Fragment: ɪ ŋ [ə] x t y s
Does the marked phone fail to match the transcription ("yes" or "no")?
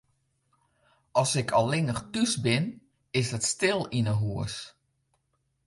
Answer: no